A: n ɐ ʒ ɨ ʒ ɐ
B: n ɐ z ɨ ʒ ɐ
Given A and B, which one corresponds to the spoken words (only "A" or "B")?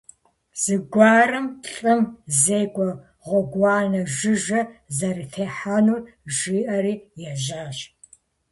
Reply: A